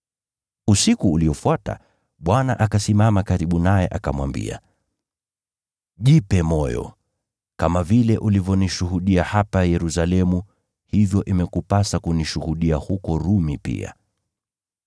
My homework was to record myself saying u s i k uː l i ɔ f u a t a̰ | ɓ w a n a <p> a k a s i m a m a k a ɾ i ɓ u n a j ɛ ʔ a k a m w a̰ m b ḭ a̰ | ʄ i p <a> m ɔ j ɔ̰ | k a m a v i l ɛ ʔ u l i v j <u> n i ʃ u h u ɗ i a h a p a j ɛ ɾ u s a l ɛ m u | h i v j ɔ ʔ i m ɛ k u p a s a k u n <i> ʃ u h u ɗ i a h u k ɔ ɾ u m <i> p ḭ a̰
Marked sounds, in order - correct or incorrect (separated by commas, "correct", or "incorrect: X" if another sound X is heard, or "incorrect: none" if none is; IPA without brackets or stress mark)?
incorrect: ʔ, incorrect: ɛ, incorrect: ɔ, correct, correct